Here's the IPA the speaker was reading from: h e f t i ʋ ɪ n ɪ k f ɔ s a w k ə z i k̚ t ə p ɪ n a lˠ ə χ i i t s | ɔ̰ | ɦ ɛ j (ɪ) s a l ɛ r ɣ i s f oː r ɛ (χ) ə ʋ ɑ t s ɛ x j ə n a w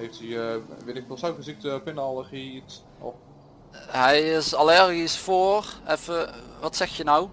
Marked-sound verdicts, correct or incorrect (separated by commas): correct, incorrect